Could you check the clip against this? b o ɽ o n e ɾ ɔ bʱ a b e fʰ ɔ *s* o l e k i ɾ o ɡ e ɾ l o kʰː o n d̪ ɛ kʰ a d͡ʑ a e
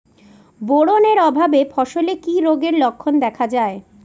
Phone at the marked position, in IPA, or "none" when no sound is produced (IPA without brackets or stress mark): ʃ